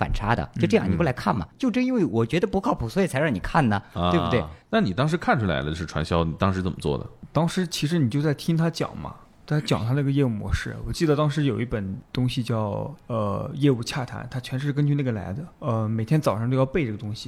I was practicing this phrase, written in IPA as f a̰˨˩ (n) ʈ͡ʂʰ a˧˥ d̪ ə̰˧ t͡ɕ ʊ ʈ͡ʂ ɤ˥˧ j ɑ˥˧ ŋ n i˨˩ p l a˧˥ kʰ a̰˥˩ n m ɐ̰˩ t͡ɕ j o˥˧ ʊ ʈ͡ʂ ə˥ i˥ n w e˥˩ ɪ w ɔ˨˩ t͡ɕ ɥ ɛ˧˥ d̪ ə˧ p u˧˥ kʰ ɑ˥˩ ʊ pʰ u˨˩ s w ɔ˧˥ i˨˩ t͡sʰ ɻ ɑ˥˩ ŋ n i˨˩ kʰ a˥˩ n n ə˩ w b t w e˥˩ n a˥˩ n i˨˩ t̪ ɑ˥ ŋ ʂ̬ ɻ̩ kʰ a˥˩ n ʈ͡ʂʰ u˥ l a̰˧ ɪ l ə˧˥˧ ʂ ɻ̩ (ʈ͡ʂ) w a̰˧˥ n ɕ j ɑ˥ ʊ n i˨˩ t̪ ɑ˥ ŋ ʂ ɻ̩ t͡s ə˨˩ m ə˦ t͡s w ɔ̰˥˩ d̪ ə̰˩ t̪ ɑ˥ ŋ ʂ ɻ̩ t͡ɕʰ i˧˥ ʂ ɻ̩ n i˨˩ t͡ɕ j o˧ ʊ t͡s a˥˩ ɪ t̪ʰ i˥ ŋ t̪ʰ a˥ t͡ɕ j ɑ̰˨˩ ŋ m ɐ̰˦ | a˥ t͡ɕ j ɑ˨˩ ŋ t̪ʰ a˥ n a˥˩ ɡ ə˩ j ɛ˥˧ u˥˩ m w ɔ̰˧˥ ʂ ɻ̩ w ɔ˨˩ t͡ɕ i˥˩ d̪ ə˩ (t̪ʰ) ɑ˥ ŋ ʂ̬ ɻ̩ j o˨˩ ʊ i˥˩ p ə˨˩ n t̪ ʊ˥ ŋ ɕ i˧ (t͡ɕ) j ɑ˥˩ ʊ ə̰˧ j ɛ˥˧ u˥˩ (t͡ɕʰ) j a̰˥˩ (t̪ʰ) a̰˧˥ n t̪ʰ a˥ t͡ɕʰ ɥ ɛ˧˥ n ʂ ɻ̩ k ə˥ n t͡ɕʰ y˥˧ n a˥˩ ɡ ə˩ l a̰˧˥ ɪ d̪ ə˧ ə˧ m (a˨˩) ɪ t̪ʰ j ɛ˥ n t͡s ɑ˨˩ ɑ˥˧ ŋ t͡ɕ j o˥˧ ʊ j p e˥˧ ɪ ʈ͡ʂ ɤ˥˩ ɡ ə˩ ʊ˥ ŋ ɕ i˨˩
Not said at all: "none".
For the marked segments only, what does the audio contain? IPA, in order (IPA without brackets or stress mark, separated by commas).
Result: n, ʈ͡ʂʰ, t̪, t͡ɕ, t͡ɕʰ, t̪ʰ, e˨˩